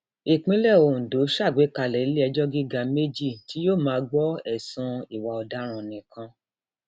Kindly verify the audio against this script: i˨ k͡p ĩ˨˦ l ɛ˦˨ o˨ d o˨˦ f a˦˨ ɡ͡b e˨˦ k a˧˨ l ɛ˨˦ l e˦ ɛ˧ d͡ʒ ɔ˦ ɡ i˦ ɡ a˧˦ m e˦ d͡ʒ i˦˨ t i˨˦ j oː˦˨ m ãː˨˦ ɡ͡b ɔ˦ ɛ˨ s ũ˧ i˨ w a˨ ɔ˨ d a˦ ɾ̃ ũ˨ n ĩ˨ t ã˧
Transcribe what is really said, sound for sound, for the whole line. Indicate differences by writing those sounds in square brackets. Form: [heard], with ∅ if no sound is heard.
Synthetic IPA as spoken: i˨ k͡p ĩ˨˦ l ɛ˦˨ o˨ d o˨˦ [ʃ] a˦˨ ɡ͡b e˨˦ k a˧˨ l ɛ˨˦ l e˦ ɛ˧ d͡ʒ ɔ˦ ɡ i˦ ɡ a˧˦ m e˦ d͡ʒ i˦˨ t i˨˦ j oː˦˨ m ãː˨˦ ɡ͡b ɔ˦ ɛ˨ s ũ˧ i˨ w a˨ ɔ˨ d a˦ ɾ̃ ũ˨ n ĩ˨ [k] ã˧

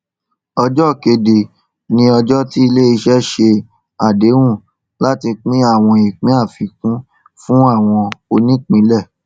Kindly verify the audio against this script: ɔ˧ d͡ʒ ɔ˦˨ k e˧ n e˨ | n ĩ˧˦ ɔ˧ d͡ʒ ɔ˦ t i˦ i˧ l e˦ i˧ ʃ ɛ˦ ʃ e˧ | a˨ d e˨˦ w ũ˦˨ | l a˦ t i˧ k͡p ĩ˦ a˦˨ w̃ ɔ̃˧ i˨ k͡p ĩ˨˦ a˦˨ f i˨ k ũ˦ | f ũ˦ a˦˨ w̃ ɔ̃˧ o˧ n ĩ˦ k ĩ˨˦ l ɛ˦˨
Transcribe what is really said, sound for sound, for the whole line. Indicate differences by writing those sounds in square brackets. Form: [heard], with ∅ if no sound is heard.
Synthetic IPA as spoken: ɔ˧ d͡ʒ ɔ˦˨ k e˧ [d] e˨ | n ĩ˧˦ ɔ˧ d͡ʒ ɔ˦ t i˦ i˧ l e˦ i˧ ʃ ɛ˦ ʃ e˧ | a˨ d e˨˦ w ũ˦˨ | l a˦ t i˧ k͡p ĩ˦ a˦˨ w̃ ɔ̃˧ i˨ k͡p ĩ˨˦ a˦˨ f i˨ k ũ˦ | f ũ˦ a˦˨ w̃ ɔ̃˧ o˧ n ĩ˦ [k͡p] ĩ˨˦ l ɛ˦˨

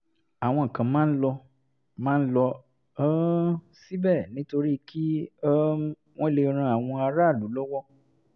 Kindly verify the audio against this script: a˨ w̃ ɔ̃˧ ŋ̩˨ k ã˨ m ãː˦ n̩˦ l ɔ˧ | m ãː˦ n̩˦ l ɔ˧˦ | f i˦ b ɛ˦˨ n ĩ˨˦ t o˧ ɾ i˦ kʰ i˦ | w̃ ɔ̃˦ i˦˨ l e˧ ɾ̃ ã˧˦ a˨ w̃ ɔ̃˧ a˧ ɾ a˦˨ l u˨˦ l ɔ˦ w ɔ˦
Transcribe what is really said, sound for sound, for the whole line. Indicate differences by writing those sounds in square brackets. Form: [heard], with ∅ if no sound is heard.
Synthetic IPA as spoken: a˨ w̃ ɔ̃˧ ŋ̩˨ k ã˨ m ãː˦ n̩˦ l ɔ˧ | m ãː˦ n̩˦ l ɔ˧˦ | [s] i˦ b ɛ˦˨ n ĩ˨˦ t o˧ ɾ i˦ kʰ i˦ | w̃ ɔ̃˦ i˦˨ l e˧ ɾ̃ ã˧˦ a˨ w̃ ɔ̃˧ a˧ ɾ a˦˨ l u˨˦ l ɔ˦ w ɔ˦

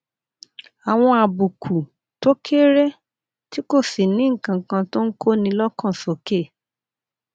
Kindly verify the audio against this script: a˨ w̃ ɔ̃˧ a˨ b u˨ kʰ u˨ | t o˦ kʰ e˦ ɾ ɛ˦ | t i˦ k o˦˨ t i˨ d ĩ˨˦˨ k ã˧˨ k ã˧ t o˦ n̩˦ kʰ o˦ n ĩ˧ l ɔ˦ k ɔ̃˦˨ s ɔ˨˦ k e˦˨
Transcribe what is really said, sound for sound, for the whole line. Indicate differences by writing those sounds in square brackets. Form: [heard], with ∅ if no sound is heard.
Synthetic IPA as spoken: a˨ w̃ ɔ̃˧ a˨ b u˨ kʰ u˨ | t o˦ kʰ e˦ ɾ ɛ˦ | t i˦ k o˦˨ [s] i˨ [n] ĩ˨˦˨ k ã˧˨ k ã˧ t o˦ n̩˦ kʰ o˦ n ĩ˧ l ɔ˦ k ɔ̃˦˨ s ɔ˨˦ k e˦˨

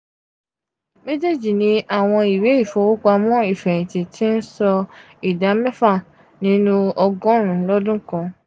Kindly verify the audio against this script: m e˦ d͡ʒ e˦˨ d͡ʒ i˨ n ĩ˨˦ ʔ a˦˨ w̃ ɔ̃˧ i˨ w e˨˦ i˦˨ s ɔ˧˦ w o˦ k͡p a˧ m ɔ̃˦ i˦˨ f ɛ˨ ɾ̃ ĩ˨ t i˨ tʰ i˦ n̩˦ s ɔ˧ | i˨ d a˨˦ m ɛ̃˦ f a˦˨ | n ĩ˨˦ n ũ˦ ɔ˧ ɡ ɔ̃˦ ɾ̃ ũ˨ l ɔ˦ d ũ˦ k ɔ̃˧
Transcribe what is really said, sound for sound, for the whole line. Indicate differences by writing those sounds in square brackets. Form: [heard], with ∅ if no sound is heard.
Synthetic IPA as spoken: m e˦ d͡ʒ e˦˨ d͡ʒ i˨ n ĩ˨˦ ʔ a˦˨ w̃ ɔ̃˧ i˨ w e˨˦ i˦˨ [f] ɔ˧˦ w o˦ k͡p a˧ m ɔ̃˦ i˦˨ f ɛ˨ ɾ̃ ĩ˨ t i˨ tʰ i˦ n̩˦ s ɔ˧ | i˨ d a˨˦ m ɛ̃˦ f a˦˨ | n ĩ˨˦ n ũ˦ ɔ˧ ɡ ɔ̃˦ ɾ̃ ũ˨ l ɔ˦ d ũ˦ k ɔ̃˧

